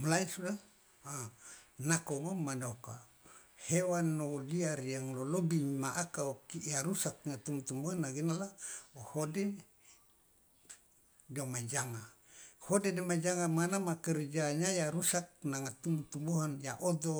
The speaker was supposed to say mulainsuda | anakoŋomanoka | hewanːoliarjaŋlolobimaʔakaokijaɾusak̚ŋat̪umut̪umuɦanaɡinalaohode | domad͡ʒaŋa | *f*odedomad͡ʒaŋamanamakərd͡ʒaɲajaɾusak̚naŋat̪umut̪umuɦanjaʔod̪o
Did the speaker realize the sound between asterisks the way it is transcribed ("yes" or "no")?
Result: no